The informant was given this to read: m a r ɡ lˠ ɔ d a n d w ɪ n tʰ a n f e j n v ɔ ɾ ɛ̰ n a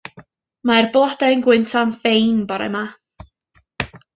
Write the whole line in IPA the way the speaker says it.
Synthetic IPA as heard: m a r b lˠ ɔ d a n ɡ w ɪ n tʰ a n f e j n b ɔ ɾ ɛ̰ m a